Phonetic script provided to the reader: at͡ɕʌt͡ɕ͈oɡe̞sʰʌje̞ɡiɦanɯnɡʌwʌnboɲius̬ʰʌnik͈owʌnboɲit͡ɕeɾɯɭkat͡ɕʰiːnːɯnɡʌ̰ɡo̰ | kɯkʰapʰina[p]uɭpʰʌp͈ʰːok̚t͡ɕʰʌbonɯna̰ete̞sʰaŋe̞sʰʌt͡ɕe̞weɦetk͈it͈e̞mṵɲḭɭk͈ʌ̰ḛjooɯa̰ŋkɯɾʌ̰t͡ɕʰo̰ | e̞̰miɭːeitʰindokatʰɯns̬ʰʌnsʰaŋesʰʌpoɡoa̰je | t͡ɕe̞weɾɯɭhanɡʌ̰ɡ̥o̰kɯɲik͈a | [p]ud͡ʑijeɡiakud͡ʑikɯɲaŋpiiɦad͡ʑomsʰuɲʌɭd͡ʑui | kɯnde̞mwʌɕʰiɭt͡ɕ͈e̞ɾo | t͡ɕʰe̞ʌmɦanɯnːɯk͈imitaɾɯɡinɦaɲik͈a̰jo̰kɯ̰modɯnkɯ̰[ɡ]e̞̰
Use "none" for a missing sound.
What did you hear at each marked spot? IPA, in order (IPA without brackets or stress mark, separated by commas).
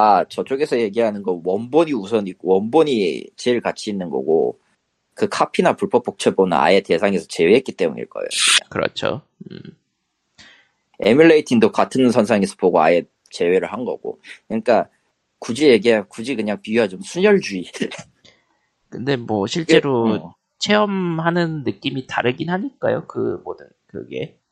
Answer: p, k, ɡ